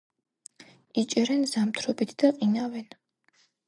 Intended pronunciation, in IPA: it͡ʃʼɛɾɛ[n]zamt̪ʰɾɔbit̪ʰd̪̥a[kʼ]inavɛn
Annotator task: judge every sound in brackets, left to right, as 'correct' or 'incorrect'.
correct, incorrect: qʼ

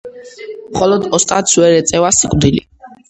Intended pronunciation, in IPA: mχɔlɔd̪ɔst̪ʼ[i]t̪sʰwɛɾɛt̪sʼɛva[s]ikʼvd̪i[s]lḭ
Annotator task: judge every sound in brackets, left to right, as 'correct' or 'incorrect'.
incorrect: a, correct, incorrect: none

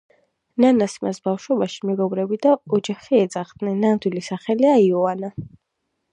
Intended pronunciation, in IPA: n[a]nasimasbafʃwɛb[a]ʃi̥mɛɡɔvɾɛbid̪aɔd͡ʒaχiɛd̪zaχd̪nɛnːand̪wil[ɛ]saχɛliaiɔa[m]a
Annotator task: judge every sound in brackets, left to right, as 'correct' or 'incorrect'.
correct, correct, incorrect: i, incorrect: n

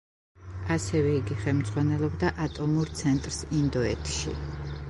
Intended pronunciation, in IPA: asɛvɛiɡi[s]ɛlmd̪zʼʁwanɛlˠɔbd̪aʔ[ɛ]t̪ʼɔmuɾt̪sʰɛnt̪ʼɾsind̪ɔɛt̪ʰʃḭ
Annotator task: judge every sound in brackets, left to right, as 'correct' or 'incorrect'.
incorrect: χ, incorrect: a

